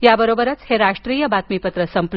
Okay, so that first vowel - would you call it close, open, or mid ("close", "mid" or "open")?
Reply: open